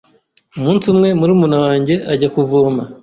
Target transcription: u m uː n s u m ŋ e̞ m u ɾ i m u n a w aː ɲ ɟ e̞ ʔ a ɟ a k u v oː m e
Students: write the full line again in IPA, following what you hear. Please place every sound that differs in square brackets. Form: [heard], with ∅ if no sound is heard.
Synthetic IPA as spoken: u m uː n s u m ŋ e̞ m u ɾ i m u n a w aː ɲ ɟ e̞ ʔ a ɟ a k u v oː m [a]